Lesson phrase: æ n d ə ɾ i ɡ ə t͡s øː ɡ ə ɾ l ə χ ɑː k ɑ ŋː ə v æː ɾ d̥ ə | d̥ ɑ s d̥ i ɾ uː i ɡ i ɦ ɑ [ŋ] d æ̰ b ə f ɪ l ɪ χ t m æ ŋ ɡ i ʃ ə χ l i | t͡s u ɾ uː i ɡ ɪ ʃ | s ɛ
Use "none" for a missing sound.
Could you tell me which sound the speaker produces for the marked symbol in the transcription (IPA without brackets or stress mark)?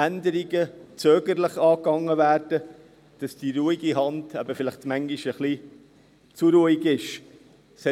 n